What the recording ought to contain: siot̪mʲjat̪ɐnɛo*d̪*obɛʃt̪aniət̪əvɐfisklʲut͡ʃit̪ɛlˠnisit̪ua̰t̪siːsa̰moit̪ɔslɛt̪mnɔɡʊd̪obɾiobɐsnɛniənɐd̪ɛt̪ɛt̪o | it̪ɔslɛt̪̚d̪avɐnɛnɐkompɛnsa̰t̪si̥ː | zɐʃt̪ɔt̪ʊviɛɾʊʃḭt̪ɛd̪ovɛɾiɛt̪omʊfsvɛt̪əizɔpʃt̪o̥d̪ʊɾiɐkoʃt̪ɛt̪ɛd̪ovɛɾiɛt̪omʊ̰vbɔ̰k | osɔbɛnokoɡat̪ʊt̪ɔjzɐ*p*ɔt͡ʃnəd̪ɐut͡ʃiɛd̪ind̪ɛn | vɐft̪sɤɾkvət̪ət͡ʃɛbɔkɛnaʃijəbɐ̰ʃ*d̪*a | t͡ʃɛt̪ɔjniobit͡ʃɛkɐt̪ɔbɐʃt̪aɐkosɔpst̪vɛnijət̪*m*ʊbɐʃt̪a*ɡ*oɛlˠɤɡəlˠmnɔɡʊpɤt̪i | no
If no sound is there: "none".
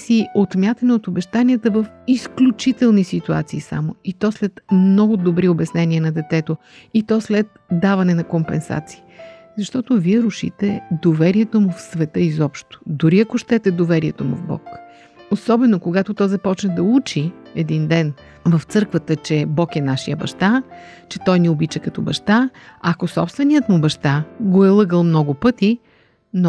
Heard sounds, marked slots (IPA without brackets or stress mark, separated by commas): t̪, p, t̪, m, ɡ